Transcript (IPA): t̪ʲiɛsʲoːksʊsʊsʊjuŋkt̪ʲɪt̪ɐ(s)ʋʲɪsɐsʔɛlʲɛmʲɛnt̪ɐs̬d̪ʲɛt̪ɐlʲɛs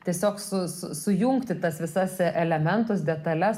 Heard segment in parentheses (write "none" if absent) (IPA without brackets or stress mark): s